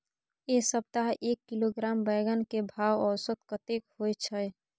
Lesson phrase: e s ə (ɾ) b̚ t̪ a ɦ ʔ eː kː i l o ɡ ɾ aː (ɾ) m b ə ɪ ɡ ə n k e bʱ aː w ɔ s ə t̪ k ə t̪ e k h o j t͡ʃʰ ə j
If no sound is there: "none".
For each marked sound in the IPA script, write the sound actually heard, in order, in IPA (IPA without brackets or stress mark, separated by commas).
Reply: none, none